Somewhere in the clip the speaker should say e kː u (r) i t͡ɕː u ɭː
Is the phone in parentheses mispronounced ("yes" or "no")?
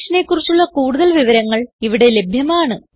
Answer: no